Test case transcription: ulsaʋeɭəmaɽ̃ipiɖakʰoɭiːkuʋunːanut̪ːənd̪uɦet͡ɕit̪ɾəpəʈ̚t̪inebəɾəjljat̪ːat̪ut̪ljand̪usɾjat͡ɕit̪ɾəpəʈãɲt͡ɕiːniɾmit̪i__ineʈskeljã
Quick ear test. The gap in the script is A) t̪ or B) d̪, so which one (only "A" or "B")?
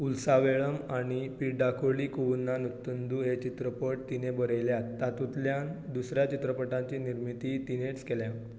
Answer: A